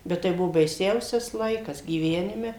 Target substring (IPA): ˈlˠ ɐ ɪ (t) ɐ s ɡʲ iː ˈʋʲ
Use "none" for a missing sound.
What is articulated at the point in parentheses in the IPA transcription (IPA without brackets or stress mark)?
k